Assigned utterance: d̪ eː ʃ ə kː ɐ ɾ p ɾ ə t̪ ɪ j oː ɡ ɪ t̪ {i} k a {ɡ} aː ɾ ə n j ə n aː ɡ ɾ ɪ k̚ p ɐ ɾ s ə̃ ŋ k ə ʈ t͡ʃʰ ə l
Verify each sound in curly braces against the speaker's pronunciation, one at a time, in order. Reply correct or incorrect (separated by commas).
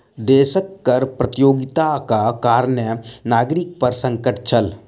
incorrect, incorrect